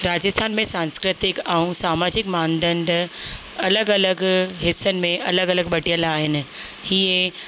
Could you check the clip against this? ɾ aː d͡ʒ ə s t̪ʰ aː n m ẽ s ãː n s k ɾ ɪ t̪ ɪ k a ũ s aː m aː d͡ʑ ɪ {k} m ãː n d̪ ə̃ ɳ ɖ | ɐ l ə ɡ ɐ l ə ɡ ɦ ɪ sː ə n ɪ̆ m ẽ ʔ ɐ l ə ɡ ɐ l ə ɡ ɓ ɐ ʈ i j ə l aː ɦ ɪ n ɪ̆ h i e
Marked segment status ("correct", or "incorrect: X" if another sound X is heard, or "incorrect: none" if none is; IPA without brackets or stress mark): correct